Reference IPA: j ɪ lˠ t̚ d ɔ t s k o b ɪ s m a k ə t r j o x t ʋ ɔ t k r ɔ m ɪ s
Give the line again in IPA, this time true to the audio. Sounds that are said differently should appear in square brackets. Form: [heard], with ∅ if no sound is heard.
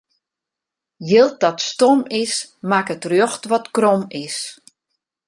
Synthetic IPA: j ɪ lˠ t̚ d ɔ t s [t] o [m] ɪ s m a k ə t r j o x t ʋ ɔ t k r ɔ m ɪ s